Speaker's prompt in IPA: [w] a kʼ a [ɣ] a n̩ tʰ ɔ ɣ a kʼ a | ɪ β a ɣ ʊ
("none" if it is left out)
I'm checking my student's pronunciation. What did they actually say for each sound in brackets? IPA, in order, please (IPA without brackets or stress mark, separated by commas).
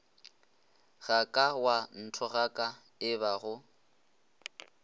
ɣ, w